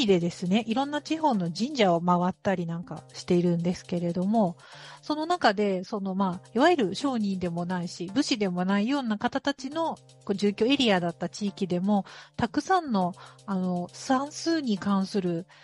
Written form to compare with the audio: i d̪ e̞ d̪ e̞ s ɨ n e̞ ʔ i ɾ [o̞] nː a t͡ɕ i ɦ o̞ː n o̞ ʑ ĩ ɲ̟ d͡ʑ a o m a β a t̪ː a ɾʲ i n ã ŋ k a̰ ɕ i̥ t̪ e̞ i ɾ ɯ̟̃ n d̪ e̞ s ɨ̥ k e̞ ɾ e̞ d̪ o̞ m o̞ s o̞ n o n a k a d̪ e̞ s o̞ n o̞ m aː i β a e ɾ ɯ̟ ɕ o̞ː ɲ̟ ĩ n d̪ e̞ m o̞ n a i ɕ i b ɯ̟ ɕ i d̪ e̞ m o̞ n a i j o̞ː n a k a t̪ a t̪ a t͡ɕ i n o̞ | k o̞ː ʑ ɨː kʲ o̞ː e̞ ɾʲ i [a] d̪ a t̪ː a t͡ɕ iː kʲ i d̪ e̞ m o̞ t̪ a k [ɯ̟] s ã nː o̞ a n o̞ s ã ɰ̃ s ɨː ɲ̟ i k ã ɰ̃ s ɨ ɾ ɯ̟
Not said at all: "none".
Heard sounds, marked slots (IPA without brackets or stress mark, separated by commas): õ̞, a, ɯ̟